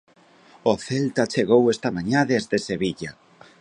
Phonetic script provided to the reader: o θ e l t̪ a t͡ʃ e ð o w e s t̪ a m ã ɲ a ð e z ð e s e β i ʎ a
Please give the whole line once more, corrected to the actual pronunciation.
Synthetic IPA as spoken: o θ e l t̪ a t͡ʃ e ɣ o w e s t̪ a m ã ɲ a ð e z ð e s e β i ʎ a